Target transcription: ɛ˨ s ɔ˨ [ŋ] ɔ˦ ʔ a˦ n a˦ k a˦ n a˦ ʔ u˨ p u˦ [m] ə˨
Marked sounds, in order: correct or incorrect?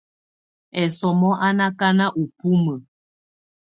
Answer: incorrect: m, correct

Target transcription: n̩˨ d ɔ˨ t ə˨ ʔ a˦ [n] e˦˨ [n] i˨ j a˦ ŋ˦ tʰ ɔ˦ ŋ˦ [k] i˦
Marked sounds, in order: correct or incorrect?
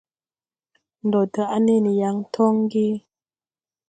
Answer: correct, correct, incorrect: ɡ

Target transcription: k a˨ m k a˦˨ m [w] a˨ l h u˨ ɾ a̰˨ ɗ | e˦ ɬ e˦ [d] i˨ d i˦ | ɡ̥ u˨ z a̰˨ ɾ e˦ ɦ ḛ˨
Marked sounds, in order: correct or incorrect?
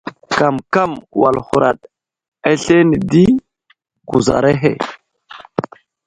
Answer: correct, incorrect: n

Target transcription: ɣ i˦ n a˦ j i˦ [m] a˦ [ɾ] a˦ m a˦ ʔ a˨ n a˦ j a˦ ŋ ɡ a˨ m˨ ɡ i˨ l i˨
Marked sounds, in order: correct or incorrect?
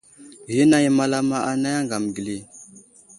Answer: correct, incorrect: l

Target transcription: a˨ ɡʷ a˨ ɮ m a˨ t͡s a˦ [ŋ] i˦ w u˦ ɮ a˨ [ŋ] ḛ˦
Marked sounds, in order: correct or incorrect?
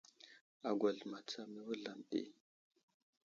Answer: incorrect: m, incorrect: m

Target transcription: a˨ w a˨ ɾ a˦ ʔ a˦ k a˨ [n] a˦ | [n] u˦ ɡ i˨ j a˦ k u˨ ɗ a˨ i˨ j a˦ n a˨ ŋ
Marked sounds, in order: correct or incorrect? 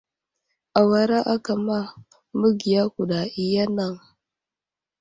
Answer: incorrect: m, incorrect: m

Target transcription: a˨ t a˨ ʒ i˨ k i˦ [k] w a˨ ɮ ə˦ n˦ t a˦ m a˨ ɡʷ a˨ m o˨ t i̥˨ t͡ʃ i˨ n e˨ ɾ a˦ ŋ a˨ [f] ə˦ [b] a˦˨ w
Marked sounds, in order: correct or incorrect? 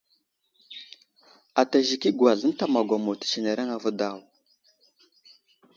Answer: incorrect: ɡ, incorrect: v, incorrect: d

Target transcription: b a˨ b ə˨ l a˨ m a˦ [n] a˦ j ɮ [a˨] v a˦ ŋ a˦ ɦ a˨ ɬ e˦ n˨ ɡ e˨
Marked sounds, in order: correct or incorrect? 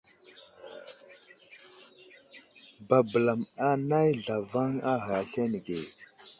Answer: correct, correct

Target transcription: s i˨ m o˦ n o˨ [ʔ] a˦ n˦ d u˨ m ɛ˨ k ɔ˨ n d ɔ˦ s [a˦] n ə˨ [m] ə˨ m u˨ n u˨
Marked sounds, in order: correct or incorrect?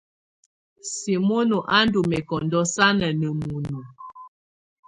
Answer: correct, correct, incorrect: n

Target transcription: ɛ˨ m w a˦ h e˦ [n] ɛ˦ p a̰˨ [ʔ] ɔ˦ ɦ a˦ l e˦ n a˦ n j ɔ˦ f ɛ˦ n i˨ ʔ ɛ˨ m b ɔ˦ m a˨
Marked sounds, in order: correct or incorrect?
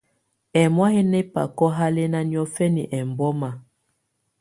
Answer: correct, incorrect: k

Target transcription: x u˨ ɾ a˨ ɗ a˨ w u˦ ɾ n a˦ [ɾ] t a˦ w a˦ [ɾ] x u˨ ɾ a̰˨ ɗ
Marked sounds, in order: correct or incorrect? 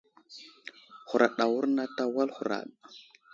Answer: incorrect: none, incorrect: l

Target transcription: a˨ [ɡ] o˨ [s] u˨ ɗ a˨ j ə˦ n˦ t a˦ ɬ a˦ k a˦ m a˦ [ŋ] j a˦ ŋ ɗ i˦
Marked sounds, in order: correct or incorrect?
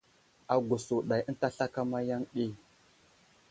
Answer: correct, correct, incorrect: none

